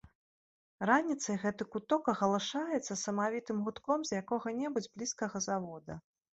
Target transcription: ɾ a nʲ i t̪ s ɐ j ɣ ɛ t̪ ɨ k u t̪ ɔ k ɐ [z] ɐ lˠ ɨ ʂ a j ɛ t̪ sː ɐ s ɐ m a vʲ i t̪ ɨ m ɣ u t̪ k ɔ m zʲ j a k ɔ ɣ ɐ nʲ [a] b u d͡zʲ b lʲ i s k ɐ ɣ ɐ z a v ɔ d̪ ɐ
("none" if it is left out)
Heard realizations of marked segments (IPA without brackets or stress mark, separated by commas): ɣ, ɛ